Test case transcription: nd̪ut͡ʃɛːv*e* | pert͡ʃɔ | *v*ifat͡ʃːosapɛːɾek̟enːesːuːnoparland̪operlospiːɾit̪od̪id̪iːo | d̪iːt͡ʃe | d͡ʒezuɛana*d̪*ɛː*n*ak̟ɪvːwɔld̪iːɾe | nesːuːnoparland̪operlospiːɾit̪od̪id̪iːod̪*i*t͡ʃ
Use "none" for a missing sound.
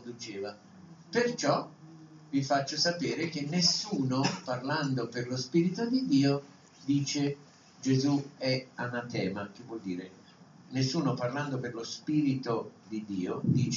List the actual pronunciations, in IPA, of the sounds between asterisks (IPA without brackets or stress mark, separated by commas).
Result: a, v, t̪, m, iː